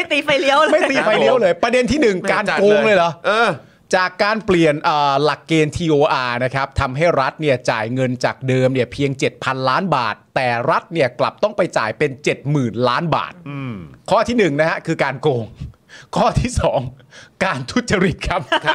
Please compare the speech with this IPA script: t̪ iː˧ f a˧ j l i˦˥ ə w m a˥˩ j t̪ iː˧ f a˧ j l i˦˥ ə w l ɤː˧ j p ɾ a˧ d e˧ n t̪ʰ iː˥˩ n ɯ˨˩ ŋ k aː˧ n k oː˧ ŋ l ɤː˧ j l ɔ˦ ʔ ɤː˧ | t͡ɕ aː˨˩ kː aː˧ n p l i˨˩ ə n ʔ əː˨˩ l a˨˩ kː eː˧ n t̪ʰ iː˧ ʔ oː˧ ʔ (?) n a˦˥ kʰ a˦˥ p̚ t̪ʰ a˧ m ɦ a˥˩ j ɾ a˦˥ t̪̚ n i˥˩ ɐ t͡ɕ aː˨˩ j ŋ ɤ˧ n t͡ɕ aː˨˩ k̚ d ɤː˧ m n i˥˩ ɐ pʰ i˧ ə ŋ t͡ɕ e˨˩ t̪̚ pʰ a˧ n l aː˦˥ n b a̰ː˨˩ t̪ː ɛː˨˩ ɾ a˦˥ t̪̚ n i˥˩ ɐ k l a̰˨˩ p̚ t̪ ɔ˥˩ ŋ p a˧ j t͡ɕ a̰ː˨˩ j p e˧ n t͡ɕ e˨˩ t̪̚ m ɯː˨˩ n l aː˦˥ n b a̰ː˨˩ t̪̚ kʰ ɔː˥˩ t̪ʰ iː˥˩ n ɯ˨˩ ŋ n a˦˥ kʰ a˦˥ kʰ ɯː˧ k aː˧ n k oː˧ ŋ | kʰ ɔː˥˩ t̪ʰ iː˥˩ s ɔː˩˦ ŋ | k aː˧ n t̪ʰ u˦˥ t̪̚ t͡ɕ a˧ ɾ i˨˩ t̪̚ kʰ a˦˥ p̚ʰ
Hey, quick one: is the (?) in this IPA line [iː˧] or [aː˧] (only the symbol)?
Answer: aː˧